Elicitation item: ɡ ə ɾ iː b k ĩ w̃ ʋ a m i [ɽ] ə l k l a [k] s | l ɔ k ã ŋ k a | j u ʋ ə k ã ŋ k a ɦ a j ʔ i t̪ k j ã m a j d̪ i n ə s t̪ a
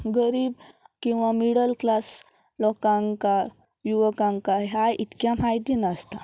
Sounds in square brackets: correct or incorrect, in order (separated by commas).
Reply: correct, incorrect